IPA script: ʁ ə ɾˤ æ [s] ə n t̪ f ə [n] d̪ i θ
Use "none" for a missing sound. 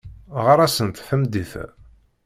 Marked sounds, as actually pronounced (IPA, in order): s, m

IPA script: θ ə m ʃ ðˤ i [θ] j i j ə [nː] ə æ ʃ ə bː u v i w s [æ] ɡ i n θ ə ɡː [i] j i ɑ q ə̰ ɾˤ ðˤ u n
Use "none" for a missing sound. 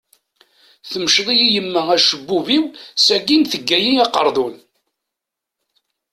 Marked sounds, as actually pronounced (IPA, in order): none, mː, æ, æ

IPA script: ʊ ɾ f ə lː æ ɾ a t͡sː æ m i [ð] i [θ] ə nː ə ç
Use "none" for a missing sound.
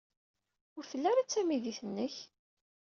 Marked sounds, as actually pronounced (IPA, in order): ð, θ

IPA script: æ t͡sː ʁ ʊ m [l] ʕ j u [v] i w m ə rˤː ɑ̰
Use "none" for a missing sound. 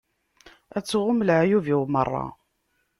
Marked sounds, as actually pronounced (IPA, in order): l, v

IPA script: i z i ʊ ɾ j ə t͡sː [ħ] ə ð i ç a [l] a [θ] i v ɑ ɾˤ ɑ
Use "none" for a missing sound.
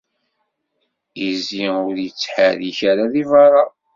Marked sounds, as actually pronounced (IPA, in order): ħ, ɾ, ð

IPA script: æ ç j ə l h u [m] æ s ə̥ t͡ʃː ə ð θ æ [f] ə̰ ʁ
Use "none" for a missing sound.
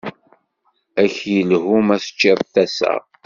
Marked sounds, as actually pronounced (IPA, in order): m, s

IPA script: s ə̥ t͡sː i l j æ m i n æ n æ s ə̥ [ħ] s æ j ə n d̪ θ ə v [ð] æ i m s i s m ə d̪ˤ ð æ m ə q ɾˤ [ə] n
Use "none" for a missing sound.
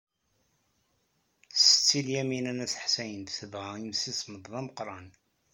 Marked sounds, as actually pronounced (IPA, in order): ħ, ʁ, ɑ

